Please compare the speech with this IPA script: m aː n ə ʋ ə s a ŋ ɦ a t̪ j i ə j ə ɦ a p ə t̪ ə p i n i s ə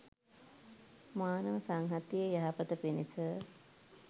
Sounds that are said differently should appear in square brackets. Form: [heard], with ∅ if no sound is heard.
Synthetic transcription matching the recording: m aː n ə ʋ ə s a ŋ ɦ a t̪ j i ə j [a] ɦ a p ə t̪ ə p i n i s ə